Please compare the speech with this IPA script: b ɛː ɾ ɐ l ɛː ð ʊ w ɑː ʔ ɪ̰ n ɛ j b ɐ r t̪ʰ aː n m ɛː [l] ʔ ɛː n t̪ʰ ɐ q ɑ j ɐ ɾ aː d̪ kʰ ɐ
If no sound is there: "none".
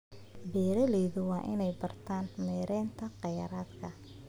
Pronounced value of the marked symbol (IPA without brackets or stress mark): ɾ